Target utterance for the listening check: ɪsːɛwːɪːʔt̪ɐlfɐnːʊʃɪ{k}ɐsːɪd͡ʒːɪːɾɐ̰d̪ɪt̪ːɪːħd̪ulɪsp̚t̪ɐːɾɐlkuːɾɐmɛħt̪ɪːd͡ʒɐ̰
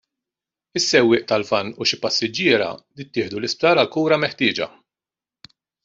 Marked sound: incorrect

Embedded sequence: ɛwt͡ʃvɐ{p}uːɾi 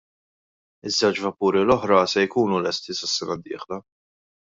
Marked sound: correct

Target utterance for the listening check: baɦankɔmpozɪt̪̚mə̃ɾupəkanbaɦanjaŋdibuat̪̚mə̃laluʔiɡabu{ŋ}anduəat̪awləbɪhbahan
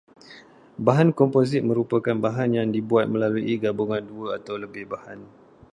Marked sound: correct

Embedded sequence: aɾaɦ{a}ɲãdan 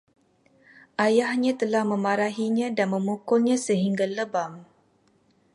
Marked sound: incorrect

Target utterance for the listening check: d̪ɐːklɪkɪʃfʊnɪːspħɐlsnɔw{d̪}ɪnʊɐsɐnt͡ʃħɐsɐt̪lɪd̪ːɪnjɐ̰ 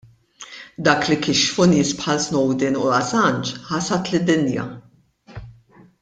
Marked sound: correct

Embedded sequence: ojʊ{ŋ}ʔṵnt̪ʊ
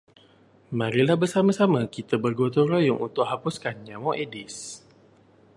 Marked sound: correct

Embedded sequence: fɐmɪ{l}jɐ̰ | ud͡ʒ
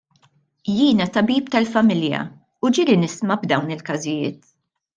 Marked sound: correct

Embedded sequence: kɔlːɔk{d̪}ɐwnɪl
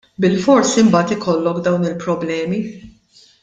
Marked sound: correct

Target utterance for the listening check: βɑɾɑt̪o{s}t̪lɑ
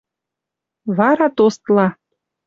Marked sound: correct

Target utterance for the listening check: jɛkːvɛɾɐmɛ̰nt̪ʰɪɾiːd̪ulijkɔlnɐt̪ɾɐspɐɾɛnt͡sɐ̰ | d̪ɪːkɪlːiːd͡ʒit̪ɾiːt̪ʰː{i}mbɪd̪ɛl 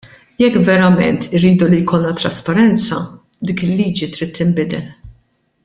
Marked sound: incorrect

